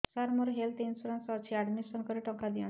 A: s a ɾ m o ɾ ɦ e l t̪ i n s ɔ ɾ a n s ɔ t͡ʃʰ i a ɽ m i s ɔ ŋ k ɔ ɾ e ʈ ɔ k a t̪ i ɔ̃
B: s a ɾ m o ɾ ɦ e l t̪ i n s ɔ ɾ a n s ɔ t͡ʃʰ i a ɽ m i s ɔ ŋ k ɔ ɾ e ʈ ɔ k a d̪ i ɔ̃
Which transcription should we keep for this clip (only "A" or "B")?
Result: B